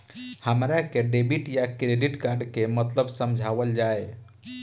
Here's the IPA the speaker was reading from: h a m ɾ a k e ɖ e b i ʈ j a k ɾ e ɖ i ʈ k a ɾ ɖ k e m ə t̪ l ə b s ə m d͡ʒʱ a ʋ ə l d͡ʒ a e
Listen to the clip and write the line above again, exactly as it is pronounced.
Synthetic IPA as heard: h ə m ɾ a k e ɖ e b i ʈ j a k ɾ e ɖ i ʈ k a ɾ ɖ k e m ə t̪ l ə b s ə m d͡ʒʱ a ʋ ə l d͡ʒ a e